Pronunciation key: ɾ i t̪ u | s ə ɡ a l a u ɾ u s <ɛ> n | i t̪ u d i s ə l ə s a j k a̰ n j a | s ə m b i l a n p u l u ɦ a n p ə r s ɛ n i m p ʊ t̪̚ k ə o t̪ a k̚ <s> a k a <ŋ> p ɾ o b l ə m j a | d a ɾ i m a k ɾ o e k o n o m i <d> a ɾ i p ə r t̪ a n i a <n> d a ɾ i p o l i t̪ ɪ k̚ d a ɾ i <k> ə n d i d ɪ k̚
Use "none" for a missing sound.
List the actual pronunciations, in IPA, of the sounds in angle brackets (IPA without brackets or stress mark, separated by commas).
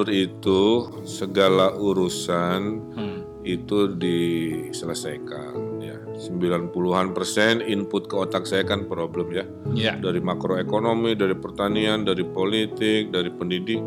a, s, n, d, n, p